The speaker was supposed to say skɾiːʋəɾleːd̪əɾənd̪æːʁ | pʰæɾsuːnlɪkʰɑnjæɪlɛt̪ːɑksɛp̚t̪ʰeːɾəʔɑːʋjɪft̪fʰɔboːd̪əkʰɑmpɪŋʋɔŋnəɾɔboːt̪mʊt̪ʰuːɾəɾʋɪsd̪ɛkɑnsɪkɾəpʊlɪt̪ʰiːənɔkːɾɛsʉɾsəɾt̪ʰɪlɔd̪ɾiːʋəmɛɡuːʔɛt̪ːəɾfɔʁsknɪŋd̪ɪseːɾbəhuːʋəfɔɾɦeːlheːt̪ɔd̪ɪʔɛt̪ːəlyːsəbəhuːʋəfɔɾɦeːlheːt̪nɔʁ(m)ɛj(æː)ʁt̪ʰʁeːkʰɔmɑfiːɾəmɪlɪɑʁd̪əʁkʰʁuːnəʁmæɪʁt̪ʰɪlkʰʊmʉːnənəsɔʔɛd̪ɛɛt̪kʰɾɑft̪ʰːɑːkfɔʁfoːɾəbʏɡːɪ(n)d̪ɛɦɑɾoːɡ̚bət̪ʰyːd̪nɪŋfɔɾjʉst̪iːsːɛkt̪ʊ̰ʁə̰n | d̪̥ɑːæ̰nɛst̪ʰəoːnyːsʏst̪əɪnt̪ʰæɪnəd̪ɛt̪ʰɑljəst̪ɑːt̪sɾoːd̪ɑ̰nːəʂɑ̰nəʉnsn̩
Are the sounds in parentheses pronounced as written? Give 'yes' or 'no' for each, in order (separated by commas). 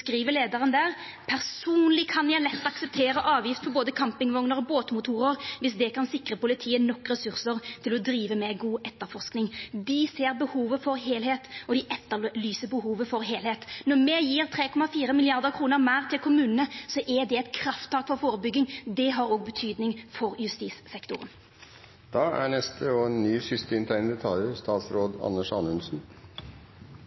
yes, no, no